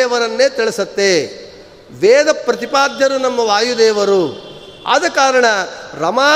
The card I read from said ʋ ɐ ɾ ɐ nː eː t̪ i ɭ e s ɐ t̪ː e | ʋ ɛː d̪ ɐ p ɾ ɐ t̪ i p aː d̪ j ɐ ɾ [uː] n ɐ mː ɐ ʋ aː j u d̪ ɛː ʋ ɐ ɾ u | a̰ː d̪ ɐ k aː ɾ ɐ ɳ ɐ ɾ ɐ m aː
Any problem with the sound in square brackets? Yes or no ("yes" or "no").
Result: yes